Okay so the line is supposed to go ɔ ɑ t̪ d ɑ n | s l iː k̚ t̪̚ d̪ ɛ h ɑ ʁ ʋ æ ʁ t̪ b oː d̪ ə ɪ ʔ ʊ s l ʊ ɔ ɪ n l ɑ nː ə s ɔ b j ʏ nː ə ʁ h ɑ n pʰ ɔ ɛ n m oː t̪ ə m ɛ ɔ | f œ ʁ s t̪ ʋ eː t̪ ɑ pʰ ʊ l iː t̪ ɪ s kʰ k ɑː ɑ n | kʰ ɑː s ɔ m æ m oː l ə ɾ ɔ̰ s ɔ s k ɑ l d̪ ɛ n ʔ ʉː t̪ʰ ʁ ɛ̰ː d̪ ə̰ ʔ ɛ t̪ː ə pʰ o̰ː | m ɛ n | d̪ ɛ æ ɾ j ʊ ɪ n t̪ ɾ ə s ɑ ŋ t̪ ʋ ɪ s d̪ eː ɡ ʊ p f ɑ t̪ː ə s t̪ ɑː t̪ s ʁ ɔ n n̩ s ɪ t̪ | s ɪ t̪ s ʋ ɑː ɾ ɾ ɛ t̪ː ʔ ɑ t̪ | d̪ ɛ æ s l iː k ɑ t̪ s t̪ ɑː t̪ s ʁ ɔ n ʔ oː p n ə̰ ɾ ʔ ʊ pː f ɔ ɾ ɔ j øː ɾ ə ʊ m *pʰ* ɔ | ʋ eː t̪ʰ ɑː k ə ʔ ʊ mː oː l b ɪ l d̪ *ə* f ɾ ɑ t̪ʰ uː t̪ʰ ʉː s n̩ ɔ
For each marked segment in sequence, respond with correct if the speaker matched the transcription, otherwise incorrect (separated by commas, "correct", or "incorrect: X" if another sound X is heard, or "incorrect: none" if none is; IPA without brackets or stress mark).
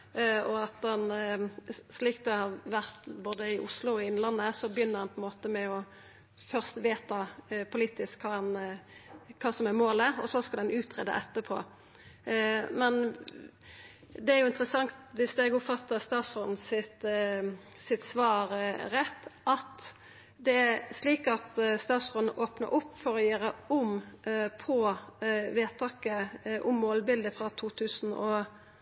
correct, correct